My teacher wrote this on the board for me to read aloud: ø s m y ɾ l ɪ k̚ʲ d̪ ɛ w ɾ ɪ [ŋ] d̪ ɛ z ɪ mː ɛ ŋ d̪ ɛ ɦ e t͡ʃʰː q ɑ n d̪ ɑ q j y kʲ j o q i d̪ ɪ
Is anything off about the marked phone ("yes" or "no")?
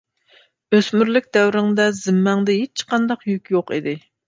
no